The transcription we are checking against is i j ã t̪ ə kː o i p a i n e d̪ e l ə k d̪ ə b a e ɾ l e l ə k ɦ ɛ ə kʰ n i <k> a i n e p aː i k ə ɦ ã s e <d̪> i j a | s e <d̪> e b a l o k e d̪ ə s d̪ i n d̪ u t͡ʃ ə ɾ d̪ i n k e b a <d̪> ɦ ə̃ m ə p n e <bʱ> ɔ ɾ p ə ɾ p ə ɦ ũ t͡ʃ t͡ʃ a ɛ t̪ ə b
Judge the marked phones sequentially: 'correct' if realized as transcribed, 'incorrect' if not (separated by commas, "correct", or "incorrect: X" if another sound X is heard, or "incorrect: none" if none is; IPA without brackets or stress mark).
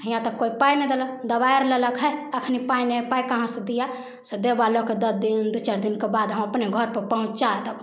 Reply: incorrect: p, correct, correct, correct, incorrect: ɡʱ